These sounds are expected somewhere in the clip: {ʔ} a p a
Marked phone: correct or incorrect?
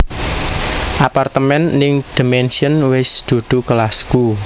correct